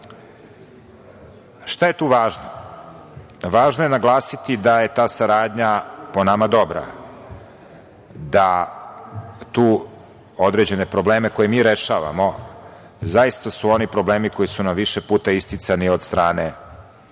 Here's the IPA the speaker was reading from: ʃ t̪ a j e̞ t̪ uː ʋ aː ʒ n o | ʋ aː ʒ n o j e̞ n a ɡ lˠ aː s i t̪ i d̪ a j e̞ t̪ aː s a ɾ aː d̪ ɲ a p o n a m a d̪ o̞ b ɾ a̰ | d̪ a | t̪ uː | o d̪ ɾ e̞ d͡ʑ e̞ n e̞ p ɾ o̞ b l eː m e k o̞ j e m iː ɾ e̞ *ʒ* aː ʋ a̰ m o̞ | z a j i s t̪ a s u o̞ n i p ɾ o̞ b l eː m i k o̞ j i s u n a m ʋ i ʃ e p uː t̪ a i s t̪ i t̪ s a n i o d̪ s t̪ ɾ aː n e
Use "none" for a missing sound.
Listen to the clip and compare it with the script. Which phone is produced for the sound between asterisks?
ʃ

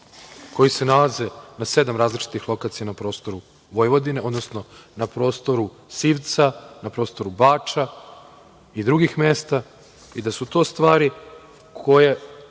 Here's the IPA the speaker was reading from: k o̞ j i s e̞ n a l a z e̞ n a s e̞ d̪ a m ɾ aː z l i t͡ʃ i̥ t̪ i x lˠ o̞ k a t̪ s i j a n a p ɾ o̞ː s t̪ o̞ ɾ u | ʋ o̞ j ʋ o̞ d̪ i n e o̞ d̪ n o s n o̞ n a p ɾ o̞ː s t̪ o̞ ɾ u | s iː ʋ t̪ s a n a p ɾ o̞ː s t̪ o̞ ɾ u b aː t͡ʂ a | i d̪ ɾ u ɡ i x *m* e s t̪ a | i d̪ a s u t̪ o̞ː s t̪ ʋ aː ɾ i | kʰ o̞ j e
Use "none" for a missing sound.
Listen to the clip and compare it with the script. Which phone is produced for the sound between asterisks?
m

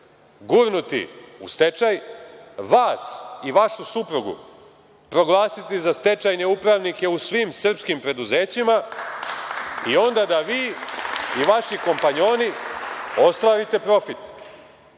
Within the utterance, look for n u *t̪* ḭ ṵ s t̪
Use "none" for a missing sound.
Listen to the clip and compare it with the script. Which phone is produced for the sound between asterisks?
t̪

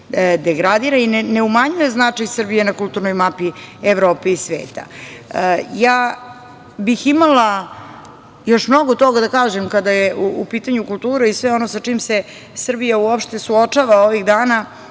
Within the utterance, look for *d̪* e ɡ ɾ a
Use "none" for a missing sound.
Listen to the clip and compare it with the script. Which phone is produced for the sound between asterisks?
d̪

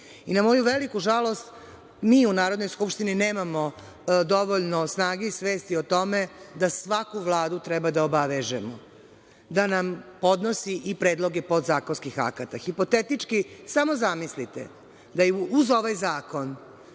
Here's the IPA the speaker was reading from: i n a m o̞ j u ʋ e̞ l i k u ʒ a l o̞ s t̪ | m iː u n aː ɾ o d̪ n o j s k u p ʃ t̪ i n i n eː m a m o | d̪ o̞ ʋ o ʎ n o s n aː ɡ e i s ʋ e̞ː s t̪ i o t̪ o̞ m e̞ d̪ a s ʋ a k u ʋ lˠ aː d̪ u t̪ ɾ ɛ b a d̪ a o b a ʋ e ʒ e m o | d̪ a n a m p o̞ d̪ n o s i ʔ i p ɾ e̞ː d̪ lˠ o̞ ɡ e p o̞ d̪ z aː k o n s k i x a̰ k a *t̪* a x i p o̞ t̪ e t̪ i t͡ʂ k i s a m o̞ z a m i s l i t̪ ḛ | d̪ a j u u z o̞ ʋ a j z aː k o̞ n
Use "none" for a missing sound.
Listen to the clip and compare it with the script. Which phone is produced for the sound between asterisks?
t̪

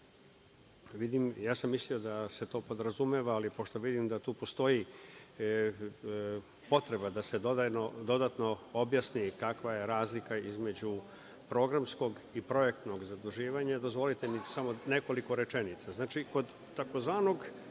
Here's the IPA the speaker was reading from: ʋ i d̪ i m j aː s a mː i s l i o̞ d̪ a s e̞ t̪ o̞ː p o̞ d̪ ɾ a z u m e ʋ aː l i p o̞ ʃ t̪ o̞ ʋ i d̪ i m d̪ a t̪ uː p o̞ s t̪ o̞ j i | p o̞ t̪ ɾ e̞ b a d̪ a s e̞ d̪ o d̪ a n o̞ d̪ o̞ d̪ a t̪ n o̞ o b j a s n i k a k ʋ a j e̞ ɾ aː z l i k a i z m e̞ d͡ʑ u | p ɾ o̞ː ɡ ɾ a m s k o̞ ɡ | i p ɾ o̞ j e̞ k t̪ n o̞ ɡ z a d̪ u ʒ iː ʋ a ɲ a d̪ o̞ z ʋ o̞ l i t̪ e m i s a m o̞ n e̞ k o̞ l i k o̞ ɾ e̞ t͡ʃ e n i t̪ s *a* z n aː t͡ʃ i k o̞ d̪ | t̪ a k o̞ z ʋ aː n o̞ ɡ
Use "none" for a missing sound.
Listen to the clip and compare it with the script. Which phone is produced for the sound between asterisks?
a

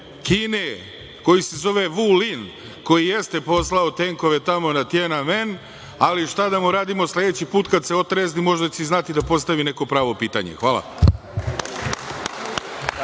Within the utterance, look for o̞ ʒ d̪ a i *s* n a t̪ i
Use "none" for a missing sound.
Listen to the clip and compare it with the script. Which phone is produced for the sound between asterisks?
z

